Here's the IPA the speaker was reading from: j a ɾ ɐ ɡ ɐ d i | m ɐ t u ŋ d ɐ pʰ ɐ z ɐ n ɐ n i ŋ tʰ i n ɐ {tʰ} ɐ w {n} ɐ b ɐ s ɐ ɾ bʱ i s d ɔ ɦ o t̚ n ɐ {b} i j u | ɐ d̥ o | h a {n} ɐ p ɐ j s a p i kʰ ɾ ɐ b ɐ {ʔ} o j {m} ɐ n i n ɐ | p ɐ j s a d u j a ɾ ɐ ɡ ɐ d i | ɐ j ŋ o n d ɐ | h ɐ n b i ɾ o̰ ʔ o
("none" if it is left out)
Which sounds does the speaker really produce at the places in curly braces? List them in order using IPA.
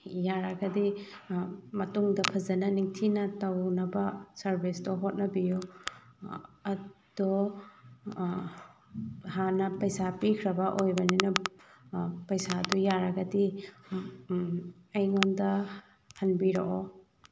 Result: t, n, b, n, ʔ, b

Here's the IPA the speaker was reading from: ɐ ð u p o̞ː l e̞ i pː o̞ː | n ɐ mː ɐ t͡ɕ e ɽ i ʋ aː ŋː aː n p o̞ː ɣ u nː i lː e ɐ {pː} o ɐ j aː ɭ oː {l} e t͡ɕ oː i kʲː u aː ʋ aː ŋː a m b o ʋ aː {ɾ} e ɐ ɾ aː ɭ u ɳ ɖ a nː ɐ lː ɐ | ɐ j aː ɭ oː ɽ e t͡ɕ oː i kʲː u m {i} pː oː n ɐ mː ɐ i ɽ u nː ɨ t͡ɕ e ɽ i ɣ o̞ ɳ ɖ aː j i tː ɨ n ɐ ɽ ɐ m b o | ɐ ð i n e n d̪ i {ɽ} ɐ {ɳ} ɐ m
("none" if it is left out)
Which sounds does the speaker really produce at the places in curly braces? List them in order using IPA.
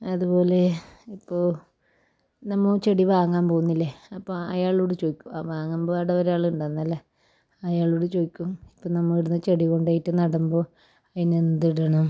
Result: pː, ɽ, ɽ, i, ɽ, ɳ

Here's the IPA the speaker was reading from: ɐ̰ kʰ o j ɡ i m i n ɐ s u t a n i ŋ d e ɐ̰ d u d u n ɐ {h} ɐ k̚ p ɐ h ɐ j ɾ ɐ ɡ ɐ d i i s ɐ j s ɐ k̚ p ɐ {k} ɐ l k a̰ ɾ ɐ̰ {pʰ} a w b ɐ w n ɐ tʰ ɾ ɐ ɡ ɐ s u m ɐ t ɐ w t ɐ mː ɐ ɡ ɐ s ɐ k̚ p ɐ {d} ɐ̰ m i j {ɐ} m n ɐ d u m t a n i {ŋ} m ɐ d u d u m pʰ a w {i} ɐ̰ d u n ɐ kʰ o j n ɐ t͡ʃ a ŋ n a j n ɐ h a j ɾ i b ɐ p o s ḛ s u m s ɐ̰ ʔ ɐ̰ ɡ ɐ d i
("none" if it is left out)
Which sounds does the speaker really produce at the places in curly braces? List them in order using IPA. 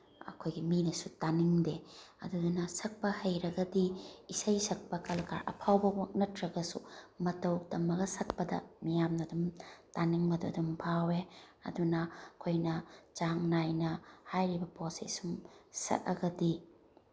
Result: s, k, pʰ, d, a, ŋ, e

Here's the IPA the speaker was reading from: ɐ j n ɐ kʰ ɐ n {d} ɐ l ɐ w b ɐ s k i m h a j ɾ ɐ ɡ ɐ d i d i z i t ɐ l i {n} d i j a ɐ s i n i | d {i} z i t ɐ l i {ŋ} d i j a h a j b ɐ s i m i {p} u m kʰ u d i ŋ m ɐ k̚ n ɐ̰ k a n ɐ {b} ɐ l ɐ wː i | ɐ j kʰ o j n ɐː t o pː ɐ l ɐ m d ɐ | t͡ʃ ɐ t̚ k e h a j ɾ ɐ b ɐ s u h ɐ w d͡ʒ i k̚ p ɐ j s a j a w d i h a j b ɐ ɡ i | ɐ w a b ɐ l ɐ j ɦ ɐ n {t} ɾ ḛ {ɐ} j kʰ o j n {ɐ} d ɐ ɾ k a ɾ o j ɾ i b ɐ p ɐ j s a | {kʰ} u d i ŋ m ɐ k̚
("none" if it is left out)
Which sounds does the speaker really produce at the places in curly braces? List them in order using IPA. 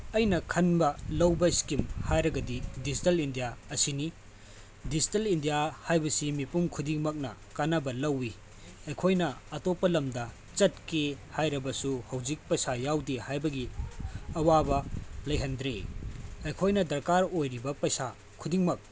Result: b, n, i, n, p, b, d, ɐ, ɐ, kʰ

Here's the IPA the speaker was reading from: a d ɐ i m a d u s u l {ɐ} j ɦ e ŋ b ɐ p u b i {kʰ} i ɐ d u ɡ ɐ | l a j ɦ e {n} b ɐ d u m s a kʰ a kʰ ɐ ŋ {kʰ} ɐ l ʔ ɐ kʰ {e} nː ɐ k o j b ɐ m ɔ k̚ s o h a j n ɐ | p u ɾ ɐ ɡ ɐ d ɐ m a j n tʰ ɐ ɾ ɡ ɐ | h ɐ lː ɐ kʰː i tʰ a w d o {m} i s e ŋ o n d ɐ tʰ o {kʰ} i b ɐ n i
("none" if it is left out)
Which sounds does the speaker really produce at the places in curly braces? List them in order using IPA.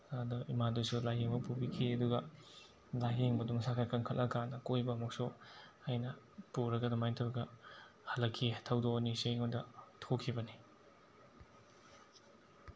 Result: a, kʰ, ŋ, kʰ, a, n, kʰ

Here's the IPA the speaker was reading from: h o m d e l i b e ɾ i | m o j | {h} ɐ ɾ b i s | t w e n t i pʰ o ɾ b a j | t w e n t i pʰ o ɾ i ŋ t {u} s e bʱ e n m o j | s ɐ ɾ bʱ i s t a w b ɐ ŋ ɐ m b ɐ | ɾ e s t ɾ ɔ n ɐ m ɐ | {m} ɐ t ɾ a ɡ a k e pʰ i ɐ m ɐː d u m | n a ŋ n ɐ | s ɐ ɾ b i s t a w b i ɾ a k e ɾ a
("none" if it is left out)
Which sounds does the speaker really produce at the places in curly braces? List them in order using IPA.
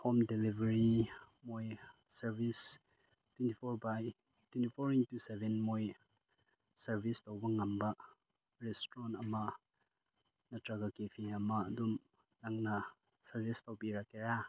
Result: s, u, n

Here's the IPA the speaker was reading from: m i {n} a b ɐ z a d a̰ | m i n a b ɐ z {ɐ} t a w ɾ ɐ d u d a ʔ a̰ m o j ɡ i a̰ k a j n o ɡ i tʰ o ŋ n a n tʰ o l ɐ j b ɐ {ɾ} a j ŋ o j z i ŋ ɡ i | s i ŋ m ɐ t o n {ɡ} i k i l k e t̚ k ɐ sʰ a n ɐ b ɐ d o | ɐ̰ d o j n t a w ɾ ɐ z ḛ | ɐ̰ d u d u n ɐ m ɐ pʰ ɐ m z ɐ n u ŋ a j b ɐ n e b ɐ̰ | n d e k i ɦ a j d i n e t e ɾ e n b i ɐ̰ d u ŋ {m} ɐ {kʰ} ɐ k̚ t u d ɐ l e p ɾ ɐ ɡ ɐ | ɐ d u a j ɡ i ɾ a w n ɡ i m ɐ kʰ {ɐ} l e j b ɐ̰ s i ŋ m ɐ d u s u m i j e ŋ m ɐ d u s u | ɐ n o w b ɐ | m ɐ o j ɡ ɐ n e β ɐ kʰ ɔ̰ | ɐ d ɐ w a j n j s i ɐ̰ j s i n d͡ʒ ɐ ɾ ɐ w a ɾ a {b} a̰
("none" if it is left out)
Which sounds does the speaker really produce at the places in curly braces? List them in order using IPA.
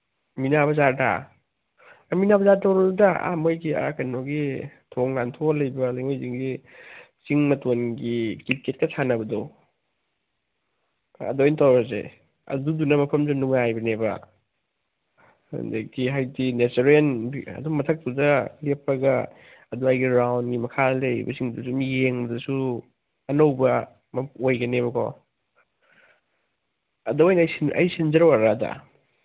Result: n, a, l, ɡ, m, tʰ, a, d

